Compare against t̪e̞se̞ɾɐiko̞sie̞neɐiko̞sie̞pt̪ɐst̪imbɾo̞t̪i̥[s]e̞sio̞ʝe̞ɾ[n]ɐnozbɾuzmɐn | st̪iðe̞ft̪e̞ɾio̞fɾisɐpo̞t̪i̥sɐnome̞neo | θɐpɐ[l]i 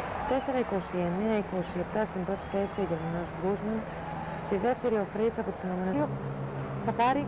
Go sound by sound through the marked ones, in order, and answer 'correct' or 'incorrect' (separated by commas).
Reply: incorrect, incorrect, incorrect